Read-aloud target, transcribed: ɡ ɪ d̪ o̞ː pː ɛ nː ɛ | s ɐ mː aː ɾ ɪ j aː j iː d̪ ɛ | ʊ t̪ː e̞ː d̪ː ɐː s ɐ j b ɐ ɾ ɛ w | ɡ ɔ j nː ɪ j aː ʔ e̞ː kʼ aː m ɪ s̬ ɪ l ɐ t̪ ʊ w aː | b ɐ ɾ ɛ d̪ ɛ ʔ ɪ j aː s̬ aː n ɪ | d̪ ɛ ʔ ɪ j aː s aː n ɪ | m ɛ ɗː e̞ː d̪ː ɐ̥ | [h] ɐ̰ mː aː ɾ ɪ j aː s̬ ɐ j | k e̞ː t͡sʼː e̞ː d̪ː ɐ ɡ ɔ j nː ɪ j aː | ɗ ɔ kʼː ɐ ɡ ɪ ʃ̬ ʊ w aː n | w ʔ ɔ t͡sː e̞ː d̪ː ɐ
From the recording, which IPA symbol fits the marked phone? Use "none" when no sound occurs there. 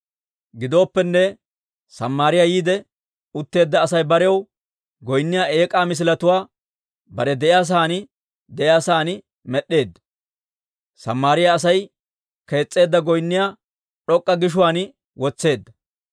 s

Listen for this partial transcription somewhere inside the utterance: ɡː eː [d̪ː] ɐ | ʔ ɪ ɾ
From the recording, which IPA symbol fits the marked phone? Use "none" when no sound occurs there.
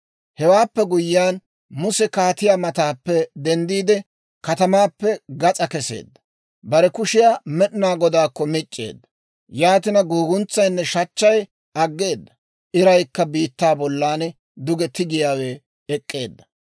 d̪ː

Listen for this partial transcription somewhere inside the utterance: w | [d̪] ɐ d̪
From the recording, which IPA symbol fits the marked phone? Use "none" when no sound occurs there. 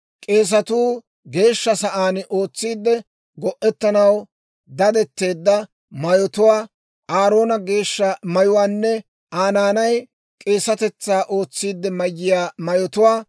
d̪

